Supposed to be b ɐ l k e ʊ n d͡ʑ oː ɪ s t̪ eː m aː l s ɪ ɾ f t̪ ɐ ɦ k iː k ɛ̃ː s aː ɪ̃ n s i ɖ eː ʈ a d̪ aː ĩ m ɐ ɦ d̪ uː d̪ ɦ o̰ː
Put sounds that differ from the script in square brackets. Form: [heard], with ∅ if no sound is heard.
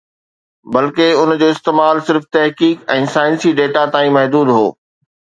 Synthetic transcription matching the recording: b ɐ l k e ʊ n d͡ʑ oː ɪ s t̪ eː m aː l s ɪ ɾ f t̪ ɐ ɦ k iː k ɛ̃ː s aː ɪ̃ n s i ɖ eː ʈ a [t̪] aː ĩ m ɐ ɦ d̪ uː d̪ ɦ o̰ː